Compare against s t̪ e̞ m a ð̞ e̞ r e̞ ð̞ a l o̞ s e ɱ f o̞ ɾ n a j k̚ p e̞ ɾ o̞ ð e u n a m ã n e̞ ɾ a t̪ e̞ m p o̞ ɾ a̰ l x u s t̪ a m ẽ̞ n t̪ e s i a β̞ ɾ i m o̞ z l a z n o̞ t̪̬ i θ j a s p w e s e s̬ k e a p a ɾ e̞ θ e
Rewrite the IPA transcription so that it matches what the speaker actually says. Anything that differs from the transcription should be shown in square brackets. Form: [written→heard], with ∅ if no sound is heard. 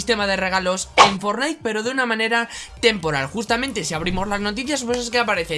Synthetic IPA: s t̪ e̞ m a ð̞ e̞ r e̞ [ð̞→ɣ̞] a l o̞ s e ɱ f o̞ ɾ n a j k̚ p e̞ ɾ o̞ ð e u n a m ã n e̞ ɾ a t̪ e̞ m p o̞ ɾ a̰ l x u s t̪ a m ẽ̞ n t̪ e s i a β̞ ɾ i m o̞ z l a z n o̞ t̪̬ i θ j a s p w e s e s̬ k e a p a ɾ e̞ θ e

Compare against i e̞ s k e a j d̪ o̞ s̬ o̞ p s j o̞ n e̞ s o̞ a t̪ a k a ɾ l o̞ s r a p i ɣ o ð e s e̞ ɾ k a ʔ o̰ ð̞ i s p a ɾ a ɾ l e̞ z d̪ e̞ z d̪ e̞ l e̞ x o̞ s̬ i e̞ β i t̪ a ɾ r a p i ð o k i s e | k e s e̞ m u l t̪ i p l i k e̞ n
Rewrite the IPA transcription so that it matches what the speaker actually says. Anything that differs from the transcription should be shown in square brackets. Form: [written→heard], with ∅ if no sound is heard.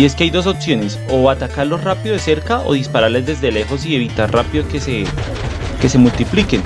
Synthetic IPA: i e̞ s k e a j d̪ o̞ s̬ o̞ p s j o̞ n e̞ s o̞ a t̪ a k a ɾ l o̞ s r a p i [ɣ→ð] o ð e s e̞ ɾ k a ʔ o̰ ð̞ i s p a ɾ a ɾ l e̞ z d̪ e̞ z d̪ e̞ l e̞ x o̞ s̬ i e̞ β i t̪ a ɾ r a p i ð o k [i→e] s e | k e s e̞ m u l t̪ i p l i k e̞ n

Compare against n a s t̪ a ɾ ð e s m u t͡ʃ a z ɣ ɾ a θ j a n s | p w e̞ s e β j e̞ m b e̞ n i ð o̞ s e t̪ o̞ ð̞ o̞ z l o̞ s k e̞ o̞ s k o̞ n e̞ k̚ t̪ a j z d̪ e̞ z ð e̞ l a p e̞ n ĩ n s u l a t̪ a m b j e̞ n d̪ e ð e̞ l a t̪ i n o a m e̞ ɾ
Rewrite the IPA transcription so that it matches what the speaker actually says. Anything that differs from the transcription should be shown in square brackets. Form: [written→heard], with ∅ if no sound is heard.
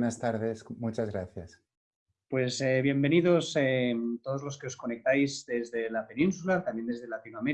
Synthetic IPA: n a s t̪ a ɾ ð e s m u t͡ʃ a z ɣ ɾ a θ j a [n→∅] s | p w e̞ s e β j e̞ m b e̞ n i ð o̞ s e t̪ o̞ ð̞ o̞ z l o̞ s k e̞ o̞ s k o̞ n e̞ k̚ t̪ a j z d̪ e̞ z ð e̞ l a p e̞ n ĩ n s u l a t̪ a m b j e̞ n d̪ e ð e̞ l a t̪ i n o a m e̞ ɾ

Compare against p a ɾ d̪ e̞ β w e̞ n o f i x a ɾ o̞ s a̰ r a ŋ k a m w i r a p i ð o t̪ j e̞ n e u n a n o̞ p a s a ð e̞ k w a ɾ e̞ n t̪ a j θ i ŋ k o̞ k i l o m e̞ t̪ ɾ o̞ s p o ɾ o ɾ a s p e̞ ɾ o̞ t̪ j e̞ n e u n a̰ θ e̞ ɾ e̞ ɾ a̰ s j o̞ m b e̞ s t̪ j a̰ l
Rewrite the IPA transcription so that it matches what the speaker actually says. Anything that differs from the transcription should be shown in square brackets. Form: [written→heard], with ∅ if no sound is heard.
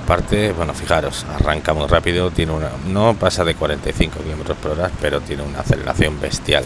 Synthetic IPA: p a ɾ [d̪→t̪] e̞ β w e̞ n o f i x a ɾ o̞ s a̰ r a ŋ k a m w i r a p i ð o t̪ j e̞ n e u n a n o̞ p a s a ð e̞ k w a ɾ e̞ n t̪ a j θ i ŋ k o̞ k i l o m e̞ t̪ ɾ o̞ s p o ɾ o ɾ a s p e̞ ɾ o̞ t̪ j e̞ n e u n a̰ θ e̞ [ɾ→l] e̞ ɾ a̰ [s→θ] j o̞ m b e̞ s t̪ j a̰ l

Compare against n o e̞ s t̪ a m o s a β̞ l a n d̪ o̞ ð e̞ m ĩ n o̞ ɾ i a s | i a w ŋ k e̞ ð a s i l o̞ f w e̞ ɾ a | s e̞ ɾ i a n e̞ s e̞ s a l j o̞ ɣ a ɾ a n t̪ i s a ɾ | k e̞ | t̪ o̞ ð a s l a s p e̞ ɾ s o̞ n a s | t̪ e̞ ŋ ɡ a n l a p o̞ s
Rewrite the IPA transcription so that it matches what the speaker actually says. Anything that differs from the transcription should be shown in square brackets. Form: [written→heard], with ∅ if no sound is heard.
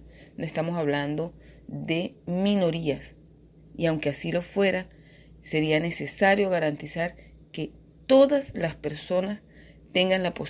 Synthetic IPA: n o e̞ s t̪ a m o s a β̞ l a n d̪ o̞ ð e̞ m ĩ n o̞ ɾ i a s | i a w ŋ k e̞ [ð→∅] a s i l o̞ f w e̞ ɾ a | s e̞ ɾ i a n e̞ s e̞ s a [l→ɾ] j o̞ ɣ a ɾ a n t̪ i s a ɾ | k e̞ | t̪ o̞ ð a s l a s p e̞ ɾ s o̞ n a s | t̪ e̞ ŋ ɡ a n l a p o̞ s

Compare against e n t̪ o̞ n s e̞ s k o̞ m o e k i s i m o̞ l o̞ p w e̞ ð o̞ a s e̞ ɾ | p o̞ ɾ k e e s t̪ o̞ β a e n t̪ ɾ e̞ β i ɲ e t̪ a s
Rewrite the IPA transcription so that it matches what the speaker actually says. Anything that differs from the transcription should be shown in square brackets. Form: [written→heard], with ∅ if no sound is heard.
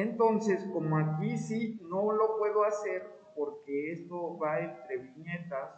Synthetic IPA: e n t̪ o̞ n s e̞ s k o̞ m o [e→a] k i s i [m→n] o̞ l o̞ p w e̞ ð o̞ a s e̞ ɾ | p o̞ ɾ k e e s t̪ o̞ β a e n t̪ ɾ e̞ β i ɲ e t̪ a s

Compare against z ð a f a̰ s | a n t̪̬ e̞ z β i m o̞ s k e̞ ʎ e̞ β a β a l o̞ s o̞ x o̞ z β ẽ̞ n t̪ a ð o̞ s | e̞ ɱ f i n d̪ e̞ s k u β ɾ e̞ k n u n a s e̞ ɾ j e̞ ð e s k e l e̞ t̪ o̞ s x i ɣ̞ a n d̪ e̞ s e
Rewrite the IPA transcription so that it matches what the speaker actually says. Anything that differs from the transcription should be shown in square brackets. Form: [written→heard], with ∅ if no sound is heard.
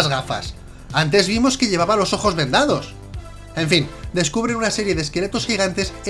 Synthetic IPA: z [ð→ɣ] a f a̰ s | a n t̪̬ e̞ z β i m o̞ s k e̞ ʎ e̞ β a β a l o̞ s o̞ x o̞ z β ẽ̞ n [t̪→d̪] a ð o̞ s | e̞ ɱ f i n d̪ e̞ s k u β ɾ e̞ [k→∅] n u n a s e̞ ɾ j e̞ ð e s k e l e̞ t̪ o̞ s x i ɣ̞ a n [d̪→t̪] e̞ s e

